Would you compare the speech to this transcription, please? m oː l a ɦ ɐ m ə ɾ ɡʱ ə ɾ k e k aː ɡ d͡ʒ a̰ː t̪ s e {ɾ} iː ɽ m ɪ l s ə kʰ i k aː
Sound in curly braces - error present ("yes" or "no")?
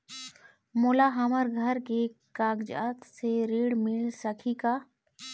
no